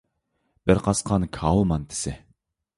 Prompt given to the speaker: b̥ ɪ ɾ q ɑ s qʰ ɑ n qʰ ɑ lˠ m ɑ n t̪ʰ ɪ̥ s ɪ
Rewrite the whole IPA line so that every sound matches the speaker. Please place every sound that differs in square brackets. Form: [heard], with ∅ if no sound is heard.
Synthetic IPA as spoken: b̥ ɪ ɾ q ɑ s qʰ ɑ n [kʰ] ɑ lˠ m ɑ n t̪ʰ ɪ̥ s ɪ